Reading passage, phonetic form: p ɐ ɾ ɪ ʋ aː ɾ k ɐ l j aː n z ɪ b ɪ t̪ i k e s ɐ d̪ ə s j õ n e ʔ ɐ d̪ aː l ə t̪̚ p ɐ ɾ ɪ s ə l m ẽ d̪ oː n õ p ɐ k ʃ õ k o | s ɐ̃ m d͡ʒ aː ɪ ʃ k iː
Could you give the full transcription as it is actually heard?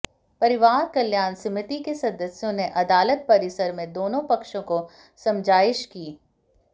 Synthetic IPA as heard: p ɐ ɾ ɪ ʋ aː ɾ k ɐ l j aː n s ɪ m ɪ t̪ i k e s ɐ d̪ ə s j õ n e ʔ ɐ d̪ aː l ə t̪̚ p ɐ ɾ ɪ s ə ɾ m ẽ d̪ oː n õ p ɐ k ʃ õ k o | s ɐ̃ m d͡ʒ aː ɪ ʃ k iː